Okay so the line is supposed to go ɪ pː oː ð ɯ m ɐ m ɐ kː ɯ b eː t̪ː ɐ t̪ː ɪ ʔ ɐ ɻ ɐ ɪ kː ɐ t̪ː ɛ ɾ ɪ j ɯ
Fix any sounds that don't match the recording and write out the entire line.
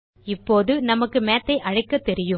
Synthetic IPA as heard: ɪ pː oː ð ɯ n ɐ m ɐ kː ɯ m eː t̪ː ɐ ɪ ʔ ɐ ɻ ɐ ɪ kː ɐ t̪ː ɛ ɾ ɪ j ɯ